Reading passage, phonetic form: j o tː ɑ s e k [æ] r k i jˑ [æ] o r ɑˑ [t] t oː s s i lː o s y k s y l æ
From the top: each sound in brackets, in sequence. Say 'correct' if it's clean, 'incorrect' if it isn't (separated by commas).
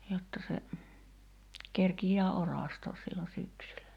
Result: incorrect, incorrect, incorrect